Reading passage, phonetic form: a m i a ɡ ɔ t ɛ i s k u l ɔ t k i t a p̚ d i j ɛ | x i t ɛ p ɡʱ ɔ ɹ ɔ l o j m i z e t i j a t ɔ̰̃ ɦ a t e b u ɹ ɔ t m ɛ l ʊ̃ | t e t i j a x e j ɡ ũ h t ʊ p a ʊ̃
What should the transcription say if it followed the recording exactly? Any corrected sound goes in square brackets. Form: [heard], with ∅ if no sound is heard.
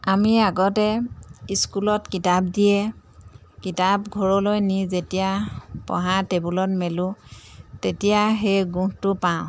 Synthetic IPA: a m i a ɡ ɔ t ɛ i s k u l ɔ t k i t a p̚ d i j ɛ | [k] i t [a] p ɡʱ ɔ ɹ ɔ l o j [n] i z e t i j a [p] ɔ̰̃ ɦ a t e b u [l] ɔ t m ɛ l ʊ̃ | t e t i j a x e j ɡ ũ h t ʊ p a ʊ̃